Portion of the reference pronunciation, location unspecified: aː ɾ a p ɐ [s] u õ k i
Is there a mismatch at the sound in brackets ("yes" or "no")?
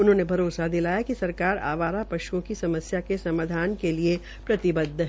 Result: yes